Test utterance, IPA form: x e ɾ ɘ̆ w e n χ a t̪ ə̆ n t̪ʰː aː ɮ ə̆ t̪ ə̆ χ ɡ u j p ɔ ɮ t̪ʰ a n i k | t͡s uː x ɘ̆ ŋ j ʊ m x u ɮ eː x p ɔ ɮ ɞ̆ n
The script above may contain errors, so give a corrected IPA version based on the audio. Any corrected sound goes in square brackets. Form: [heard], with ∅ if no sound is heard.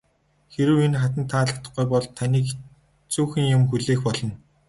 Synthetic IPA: x e ɾ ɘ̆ w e n χ a t̪ ə̆ n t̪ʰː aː ɮ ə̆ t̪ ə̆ χ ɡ u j p ɔ ɮ t̪ʰ a n [iː] k | t͡s uː x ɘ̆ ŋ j ʊ m x u ɮ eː x p ɔ ɮ ɞ̆ n